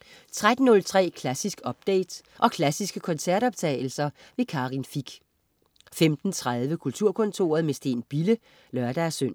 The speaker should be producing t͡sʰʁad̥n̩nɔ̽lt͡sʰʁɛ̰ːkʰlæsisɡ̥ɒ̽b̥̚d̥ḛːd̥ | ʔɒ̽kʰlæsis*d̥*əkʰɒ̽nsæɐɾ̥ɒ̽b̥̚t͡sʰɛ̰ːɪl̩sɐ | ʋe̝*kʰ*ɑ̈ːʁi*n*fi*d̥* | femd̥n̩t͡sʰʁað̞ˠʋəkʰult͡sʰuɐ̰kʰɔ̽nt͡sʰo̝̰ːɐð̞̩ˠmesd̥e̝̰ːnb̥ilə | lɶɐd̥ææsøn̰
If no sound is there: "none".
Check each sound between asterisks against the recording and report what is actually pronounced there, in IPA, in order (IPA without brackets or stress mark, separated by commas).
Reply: ɡ̥, kʰ, n, ɡ̥